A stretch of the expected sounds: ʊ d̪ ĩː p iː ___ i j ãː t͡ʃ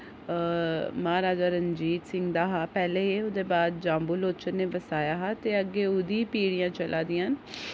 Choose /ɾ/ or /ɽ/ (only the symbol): ɽ